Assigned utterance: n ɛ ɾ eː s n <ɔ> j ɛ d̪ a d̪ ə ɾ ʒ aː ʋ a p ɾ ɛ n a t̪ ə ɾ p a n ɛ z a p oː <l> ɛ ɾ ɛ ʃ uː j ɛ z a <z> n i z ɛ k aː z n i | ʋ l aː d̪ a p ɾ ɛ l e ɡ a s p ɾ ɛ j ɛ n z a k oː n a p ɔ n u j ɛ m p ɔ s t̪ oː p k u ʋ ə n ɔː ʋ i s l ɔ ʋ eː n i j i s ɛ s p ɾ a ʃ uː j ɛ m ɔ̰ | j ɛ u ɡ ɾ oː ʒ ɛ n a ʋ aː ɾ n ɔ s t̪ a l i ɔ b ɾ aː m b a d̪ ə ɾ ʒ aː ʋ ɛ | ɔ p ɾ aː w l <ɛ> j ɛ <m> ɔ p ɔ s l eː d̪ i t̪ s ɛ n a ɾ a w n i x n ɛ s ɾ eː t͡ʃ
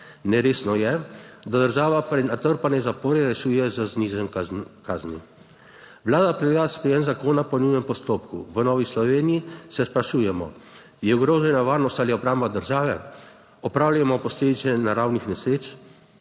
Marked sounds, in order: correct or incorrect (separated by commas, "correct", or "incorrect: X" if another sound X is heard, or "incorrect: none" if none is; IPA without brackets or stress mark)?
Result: correct, incorrect: ɾ, correct, incorrect: a, correct